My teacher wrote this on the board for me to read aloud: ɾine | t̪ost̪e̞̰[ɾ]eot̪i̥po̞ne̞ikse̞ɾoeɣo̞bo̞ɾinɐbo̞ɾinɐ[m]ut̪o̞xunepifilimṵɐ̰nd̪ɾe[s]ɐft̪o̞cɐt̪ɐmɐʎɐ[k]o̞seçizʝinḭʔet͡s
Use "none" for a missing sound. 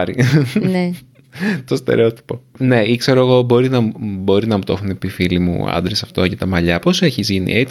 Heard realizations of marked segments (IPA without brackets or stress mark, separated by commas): ɾ, m, s, p